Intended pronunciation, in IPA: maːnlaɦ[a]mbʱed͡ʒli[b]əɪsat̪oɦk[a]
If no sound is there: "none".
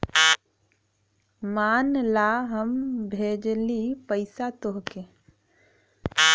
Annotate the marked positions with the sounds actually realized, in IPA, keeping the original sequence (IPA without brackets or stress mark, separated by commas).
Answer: ə, p, e